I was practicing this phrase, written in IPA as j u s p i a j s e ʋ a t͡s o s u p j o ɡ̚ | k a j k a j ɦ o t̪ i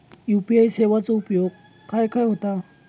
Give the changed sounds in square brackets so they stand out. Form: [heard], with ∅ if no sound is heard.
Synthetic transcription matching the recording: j u [∅] p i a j s e ʋ a t͡s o [∅] u p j o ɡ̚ | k a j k a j ɦ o t̪ [a]